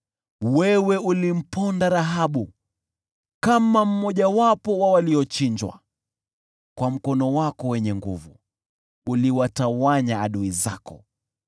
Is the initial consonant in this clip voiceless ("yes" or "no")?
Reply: no